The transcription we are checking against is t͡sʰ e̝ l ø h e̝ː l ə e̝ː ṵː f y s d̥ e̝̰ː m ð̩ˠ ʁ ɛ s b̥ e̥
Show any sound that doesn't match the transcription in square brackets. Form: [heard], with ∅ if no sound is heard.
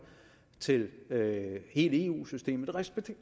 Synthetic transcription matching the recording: t͡sʰ e̝ l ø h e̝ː l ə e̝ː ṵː [s] y s d̥ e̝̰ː m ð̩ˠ ʁ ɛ s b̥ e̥